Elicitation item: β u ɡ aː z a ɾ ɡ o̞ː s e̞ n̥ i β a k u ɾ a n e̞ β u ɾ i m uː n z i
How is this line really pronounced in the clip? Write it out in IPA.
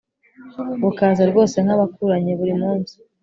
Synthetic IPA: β u k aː z a ɾ ɡ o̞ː s e̞ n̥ a β a k u ɾ a ɲ e̞ β u ɾ i m uː n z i